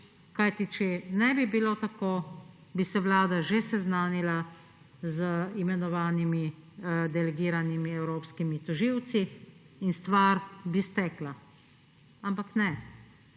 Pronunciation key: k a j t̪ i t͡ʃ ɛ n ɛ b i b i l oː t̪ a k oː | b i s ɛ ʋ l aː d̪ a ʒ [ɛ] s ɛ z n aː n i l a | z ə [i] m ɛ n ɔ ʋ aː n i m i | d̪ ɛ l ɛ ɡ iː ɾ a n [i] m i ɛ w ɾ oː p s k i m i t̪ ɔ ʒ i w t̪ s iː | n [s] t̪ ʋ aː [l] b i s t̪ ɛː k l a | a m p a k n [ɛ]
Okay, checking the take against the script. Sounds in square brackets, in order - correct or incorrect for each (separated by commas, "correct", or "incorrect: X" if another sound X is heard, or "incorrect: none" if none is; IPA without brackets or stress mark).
incorrect: e, correct, correct, correct, incorrect: ɾ, correct